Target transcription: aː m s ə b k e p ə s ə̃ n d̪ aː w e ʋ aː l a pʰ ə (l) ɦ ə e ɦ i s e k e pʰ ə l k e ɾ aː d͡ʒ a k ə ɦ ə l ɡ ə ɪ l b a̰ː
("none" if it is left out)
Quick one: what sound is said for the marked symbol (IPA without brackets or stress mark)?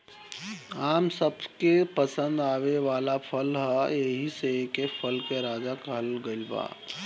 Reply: l